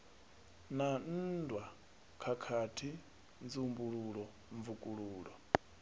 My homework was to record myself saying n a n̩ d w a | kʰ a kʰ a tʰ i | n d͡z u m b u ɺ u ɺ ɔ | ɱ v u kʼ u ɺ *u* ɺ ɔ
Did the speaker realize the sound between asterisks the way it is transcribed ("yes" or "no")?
no